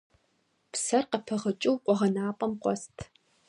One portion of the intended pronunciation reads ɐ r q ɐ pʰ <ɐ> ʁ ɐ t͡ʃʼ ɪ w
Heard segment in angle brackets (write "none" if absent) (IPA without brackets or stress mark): ɐ